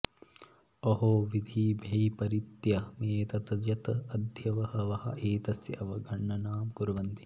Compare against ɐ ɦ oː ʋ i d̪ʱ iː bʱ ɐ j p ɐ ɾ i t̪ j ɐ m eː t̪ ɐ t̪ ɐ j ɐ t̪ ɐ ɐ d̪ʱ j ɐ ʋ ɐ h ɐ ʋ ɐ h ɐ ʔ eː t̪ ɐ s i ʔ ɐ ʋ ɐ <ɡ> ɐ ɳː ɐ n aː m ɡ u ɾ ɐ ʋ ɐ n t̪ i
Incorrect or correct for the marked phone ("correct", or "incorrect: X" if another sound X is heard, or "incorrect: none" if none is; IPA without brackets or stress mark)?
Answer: correct